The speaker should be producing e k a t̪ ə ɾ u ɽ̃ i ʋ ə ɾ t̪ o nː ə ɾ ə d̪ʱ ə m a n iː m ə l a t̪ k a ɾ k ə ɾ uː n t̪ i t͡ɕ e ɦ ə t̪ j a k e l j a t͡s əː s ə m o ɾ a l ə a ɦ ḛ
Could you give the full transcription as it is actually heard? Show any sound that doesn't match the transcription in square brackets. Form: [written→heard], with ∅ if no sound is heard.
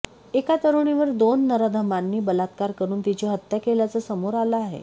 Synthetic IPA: e k a t̪ ə ɾ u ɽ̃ i ʋ ə ɾ [t̪→d̪] o nː ə ɾ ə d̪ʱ ə m a [n→nː] iː [m→b] ə l a t̪ k a ɾ k ə ɾ uː n t̪ i t͡ɕ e ɦ ə t̪ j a k e l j a t͡s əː s ə m o ɾ a l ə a ɦ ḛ